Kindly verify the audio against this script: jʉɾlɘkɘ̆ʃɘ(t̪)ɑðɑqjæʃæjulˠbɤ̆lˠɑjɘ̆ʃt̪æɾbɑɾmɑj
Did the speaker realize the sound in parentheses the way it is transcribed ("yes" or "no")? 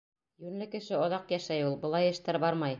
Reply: no